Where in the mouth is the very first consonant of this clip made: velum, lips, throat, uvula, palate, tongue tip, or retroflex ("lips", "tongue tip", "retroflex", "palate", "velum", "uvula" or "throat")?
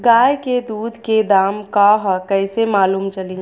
velum